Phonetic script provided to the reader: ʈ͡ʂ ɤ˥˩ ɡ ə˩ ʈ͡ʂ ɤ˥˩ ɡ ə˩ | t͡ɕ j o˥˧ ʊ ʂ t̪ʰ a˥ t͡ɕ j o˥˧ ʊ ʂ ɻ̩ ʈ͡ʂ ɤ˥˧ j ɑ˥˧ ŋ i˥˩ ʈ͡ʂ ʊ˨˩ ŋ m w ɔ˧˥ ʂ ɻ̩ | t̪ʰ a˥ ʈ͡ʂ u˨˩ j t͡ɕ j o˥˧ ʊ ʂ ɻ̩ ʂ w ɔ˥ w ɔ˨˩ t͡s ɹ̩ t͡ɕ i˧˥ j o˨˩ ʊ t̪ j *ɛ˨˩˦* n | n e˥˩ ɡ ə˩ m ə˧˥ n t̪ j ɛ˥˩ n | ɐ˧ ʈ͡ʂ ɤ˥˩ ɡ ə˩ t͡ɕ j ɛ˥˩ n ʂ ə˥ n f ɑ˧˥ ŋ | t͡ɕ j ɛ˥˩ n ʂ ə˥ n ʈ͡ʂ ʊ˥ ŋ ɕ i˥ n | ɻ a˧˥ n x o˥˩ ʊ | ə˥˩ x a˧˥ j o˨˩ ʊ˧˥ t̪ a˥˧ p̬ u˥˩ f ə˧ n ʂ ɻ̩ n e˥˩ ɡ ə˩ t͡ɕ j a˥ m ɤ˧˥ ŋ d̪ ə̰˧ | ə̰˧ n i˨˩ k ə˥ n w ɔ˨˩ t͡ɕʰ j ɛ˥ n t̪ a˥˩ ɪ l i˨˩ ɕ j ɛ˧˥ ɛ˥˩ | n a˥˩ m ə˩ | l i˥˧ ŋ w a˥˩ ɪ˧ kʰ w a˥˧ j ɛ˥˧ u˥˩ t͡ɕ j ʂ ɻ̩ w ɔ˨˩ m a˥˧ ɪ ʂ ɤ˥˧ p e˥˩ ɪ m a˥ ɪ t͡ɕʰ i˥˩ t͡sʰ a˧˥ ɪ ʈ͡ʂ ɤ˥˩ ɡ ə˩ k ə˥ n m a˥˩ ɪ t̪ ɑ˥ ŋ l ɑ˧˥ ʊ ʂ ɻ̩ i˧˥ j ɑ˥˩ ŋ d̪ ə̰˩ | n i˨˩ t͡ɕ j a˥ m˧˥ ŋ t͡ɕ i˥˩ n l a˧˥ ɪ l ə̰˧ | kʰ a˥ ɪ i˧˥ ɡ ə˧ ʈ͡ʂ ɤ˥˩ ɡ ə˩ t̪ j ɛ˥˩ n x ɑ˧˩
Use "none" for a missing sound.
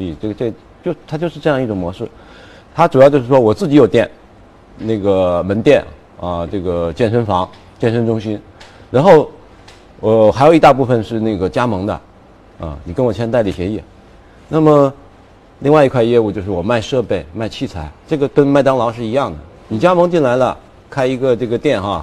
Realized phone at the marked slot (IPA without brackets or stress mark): ɛ˥˩